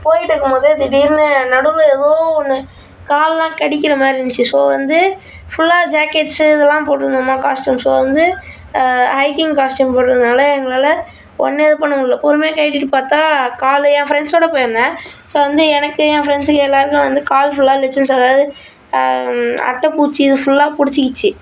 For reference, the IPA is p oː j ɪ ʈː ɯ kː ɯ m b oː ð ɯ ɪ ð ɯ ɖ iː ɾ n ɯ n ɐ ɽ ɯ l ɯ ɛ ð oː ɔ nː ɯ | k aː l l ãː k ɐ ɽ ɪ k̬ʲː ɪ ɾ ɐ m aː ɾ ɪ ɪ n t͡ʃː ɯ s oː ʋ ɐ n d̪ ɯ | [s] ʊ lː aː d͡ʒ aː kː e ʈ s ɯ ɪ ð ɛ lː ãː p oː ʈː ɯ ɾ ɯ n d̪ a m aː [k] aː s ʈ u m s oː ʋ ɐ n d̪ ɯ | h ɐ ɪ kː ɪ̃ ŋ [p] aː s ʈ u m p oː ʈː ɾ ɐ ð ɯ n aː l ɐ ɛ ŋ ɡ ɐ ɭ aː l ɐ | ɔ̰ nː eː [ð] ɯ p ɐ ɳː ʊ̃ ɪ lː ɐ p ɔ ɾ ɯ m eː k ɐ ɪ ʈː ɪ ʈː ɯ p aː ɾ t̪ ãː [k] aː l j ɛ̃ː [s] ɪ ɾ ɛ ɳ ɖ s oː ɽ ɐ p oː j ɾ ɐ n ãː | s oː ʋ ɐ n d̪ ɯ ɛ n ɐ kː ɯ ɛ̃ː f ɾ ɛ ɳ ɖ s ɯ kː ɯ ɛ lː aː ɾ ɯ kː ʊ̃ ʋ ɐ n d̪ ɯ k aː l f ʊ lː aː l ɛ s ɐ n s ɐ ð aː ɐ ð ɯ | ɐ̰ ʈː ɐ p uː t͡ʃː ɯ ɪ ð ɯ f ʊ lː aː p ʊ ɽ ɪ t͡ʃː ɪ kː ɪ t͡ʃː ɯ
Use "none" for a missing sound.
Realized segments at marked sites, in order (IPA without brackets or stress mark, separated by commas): f, k, k, ð, k, f